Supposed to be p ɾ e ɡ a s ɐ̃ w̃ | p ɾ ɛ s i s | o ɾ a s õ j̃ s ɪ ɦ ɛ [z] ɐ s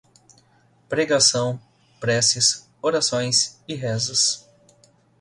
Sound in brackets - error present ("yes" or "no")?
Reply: no